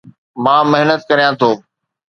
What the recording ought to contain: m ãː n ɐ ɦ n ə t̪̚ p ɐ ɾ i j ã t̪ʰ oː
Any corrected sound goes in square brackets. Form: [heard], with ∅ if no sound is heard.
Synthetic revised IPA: m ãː [m] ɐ ɦ n ə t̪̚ [k] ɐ ɾ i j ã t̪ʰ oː